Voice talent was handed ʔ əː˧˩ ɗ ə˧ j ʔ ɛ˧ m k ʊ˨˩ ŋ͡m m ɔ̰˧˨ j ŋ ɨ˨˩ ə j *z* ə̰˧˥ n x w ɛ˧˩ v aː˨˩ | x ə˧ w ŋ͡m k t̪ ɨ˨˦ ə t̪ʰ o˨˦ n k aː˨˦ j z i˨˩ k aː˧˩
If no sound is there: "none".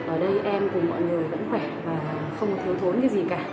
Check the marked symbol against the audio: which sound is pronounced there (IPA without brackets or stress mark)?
v